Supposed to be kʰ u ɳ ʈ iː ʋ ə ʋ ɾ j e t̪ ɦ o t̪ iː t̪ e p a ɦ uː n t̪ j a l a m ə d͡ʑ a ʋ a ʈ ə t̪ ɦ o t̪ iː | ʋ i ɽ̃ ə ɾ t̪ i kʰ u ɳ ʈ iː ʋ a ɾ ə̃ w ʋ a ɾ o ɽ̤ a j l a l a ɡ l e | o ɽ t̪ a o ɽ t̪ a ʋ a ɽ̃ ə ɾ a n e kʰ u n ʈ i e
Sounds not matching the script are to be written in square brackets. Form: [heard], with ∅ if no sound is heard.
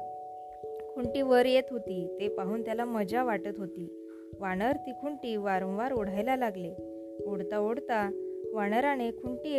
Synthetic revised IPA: kʰ u ɳ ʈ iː ʋ ə [∅] ɾ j e t̪ ɦ o t̪ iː t̪ e p a ɦ uː n t̪ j a l a m ə d͡ʑ a ʋ a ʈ ə t̪ ɦ o t̪ iː | ʋ [a] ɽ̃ ə ɾ t̪ i kʰ u ɳ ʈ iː ʋ a ɾ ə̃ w ʋ a ɾ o ɽ̤ a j l a l a ɡ l e | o ɽ t̪ a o ɽ t̪ a ʋ a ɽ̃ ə ɾ a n e kʰ u [ɳ] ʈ i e